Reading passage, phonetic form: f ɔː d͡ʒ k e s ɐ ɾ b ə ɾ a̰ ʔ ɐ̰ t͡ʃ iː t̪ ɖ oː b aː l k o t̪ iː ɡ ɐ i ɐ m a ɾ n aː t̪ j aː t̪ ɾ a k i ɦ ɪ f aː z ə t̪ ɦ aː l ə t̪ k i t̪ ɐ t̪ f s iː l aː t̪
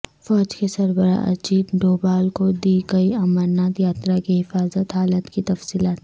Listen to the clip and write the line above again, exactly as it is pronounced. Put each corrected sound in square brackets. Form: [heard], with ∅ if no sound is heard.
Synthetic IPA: f ɔː d͡ʒ k e s ɐ ɾ b ə ɾ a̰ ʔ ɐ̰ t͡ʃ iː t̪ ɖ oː b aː l k o [d̪] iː ɡ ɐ i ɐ m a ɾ n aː t̪ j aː t̪ ɾ a k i ɦ ɪ f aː z ə t̪ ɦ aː l ə t̪ k i t̪ ɐ [∅] f s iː l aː t̪